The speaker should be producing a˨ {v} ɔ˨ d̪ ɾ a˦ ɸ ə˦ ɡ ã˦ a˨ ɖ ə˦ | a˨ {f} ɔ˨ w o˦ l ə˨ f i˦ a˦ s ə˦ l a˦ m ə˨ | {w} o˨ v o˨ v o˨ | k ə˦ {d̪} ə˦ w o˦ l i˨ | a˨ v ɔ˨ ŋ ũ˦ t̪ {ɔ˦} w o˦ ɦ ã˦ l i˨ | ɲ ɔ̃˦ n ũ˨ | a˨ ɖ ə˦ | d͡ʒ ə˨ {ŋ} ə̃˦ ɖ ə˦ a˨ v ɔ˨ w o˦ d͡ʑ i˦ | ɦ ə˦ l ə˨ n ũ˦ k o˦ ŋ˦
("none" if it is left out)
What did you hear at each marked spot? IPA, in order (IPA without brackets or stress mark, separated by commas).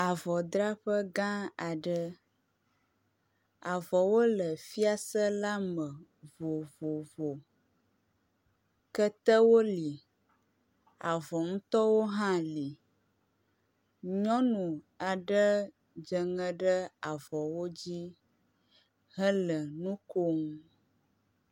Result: v, v, v, t̪, ɔ˦, ŋ